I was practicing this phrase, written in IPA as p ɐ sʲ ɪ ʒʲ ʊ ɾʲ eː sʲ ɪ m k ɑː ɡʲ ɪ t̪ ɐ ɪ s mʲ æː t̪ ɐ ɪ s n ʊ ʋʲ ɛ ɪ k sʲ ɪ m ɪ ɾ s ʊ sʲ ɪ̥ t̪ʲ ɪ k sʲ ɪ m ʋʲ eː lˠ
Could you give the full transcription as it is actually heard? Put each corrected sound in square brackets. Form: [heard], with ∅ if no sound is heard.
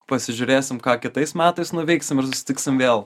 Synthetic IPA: p ɐ sʲ ɪ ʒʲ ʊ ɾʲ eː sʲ ɪ m k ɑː [kʲ] ɪ t̪ ɐ ɪ s mʲ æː t̪ ɐ ɪ s n ʊ ʋʲ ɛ ɪ k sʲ ɪ m ɪ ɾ s ʊ sʲ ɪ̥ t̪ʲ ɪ k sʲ ɪ m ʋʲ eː lˠ